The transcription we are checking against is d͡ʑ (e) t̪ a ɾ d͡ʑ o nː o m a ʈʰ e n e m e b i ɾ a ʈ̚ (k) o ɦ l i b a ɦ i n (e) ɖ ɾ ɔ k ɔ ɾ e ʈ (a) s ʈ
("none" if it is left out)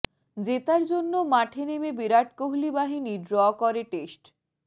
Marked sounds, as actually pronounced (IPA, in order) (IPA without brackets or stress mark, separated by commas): e, k, i, e